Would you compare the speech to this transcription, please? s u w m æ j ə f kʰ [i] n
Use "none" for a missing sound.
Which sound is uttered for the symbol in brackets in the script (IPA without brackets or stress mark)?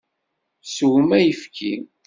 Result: i